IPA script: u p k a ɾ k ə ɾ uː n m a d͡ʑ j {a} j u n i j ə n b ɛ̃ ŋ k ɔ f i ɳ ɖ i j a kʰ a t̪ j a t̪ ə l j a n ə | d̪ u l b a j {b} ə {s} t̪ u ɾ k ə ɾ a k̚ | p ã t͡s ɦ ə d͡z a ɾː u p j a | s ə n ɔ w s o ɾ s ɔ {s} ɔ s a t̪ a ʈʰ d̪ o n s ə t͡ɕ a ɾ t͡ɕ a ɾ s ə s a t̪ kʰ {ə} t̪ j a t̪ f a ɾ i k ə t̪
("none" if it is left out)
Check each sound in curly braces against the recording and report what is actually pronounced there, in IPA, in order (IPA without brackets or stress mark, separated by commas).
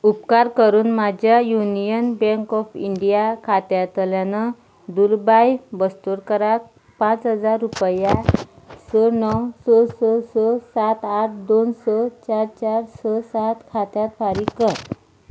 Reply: a, b, s, s, a